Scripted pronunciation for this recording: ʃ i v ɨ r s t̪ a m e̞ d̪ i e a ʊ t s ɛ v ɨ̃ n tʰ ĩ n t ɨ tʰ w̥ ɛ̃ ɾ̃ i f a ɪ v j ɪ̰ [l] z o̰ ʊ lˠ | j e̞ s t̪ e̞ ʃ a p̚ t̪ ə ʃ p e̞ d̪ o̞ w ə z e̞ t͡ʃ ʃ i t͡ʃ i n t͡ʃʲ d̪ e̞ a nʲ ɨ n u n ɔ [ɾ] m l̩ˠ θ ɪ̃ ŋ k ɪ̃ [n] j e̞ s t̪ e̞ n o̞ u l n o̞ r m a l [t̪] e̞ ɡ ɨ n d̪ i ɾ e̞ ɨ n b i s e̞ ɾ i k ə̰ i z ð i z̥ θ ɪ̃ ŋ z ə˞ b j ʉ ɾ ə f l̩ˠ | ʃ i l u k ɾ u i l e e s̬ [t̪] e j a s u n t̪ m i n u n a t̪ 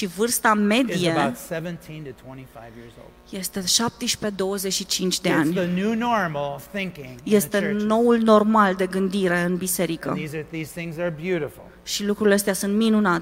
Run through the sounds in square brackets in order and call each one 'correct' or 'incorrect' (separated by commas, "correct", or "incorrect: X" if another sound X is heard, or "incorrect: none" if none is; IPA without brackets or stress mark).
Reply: incorrect: ɹ, incorrect: ɹ, incorrect: ŋ, incorrect: d̪, correct